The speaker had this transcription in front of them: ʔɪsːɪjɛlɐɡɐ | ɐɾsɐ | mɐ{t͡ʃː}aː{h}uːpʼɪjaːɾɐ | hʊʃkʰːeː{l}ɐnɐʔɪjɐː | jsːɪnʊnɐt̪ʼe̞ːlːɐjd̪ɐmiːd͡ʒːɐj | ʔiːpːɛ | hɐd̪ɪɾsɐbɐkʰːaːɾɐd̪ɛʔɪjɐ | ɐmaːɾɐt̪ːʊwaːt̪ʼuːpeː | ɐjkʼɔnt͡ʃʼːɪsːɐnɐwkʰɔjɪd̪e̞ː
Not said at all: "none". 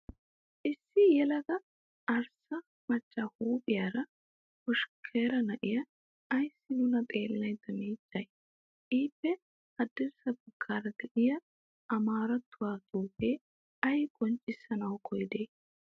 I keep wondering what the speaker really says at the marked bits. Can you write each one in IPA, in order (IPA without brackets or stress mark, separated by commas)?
t͡ʃː, h, ɾ